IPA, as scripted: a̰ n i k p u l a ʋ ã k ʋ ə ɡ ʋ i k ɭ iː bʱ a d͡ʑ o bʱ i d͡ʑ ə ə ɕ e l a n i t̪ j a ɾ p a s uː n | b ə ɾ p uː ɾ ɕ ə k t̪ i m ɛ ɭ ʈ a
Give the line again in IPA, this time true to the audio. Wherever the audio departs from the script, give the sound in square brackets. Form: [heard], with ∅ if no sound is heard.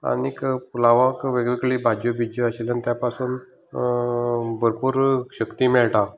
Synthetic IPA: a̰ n i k p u l a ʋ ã k ʋ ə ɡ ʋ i k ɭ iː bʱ a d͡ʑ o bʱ i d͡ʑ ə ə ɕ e l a n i t̪ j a [∅] p a s uː n | b ə ɾ p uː ɾ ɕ ə k t̪ i m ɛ ɭ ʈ a